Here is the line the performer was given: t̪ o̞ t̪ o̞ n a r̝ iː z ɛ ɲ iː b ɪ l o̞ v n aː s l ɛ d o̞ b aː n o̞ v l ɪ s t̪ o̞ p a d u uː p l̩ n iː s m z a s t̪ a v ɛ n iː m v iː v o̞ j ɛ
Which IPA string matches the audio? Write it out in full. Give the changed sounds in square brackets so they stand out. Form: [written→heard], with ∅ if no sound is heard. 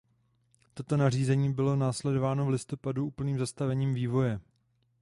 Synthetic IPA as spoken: t̪ o̞ t̪ o̞ n a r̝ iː z ɛ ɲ iː b ɪ l o̞ [v→∅] n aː s l ɛ d o̞ [b→v] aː n o̞ v l ɪ s t̪ o̞ p a d u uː p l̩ n iː [s→∅] m z a s t̪ a v ɛ [n→ɲ] iː m v iː v o̞ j ɛ